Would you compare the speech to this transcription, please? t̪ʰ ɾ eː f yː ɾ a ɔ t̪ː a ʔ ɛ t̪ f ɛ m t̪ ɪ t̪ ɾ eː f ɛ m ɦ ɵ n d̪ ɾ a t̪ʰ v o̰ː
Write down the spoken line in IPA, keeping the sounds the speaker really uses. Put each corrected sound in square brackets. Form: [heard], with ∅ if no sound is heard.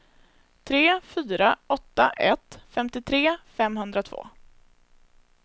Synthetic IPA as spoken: t̪ʰ ɾ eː f yː ɾ a ɔ t̪ː a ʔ ɛ t̪ f ɛ m t̪ ɪ [t̪ʰ] ɾ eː f ɛ m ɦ ɵ n d̪ ɾ a t̪ʰ v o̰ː